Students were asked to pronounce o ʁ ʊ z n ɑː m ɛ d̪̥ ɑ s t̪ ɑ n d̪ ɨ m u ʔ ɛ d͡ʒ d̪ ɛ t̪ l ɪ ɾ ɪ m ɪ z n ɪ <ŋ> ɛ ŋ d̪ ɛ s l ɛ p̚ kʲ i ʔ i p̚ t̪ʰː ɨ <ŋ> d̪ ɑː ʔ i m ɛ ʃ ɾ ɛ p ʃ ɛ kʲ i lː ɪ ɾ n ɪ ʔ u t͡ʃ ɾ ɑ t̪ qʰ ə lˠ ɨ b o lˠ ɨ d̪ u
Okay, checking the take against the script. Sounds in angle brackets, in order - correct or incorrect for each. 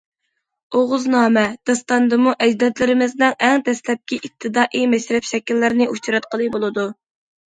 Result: correct, incorrect

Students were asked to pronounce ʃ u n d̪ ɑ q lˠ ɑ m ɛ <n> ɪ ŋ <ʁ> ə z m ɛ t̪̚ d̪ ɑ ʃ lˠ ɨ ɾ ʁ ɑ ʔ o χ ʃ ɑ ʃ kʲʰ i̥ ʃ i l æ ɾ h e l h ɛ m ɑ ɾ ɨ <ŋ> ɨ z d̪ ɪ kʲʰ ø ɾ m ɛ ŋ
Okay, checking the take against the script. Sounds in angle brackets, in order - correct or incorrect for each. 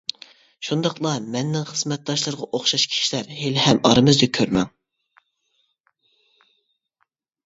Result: incorrect, incorrect, incorrect

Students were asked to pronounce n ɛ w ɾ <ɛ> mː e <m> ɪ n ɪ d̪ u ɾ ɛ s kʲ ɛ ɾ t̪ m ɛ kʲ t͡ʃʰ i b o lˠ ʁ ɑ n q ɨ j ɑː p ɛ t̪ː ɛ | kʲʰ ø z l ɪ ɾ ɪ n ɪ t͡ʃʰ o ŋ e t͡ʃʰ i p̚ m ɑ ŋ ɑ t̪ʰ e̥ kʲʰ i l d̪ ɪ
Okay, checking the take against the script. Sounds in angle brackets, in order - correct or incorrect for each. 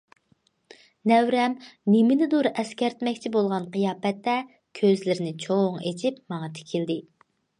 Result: correct, correct

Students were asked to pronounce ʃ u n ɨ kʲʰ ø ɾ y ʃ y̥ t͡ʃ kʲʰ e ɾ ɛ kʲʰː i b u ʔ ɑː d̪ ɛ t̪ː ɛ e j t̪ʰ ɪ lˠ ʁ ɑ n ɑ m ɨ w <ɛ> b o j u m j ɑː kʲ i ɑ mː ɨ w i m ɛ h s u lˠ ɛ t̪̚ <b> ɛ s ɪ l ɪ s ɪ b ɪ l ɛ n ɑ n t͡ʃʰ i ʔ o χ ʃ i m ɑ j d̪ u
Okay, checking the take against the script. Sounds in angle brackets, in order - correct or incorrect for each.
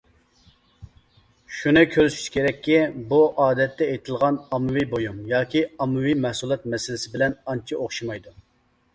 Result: incorrect, incorrect

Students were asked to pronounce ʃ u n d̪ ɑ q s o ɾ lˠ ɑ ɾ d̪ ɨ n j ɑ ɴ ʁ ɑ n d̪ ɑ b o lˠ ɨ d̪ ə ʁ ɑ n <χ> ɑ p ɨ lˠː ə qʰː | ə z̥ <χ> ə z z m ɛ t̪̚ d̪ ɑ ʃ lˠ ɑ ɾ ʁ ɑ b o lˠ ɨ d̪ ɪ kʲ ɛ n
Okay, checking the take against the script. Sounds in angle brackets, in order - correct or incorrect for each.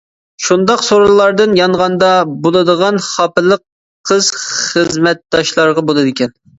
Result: correct, correct

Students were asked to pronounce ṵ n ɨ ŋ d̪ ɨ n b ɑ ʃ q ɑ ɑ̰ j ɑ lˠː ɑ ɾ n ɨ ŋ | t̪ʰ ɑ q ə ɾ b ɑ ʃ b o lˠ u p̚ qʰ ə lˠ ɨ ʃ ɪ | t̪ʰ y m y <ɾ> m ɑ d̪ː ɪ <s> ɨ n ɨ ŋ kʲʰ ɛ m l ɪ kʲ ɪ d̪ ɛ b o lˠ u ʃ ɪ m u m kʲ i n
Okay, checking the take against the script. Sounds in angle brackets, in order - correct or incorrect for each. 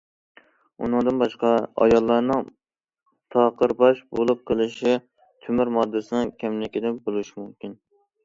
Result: correct, correct

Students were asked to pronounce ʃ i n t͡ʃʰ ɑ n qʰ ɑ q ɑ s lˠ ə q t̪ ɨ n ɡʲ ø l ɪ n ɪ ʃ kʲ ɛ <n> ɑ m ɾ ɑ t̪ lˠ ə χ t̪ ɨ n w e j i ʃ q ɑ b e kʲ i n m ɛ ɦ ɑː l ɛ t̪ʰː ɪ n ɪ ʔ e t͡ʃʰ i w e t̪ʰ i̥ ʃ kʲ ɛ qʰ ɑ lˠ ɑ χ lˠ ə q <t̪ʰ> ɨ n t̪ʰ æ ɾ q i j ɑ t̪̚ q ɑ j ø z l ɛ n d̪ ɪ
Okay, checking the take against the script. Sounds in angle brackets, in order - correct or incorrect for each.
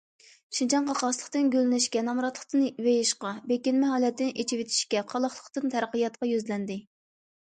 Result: correct, incorrect

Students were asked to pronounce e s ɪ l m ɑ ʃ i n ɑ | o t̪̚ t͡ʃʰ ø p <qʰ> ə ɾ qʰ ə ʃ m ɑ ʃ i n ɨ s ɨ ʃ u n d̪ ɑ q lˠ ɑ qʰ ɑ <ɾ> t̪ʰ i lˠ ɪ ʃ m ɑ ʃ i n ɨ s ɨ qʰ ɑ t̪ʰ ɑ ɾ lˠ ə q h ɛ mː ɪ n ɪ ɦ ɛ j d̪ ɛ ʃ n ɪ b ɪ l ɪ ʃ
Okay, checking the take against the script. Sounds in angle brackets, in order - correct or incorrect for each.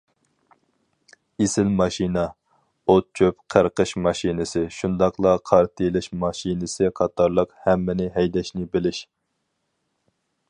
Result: correct, correct

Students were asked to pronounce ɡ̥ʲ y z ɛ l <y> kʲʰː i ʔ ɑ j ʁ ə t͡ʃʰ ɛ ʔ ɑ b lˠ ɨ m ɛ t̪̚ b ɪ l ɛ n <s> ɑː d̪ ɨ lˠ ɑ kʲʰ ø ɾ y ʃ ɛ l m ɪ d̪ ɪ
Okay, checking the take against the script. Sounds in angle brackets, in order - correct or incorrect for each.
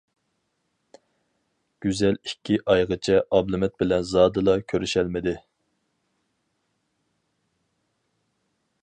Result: incorrect, incorrect

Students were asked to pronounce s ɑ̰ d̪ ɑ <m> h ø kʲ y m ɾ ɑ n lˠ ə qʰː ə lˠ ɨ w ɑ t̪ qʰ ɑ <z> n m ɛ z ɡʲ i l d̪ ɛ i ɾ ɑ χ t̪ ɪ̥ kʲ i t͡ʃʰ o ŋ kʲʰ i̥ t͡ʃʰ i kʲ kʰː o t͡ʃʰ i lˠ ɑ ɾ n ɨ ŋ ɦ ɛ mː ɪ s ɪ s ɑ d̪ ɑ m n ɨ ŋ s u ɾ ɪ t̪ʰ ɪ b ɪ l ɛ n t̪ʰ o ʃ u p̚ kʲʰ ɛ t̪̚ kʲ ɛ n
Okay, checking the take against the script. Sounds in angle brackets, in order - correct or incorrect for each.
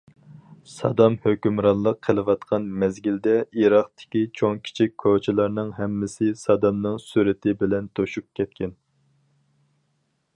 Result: correct, incorrect

